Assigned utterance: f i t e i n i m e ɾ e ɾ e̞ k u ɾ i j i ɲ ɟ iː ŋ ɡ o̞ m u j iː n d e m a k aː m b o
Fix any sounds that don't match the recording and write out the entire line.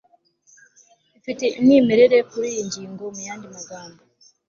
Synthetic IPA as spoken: f i t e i n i m e ɾ e ɾ e̞ k u ɾ i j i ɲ ɟ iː ŋ ɡ o̞ m u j aː n d i m a ɡ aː m b o